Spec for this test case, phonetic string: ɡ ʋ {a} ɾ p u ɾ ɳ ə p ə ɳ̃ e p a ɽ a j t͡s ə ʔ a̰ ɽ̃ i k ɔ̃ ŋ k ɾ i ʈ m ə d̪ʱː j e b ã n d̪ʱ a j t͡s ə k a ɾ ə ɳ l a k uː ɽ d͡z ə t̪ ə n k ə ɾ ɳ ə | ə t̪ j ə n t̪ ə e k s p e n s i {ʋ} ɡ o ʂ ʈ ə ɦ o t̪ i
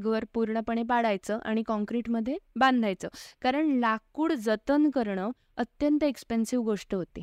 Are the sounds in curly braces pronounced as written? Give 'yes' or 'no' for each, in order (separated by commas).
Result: no, yes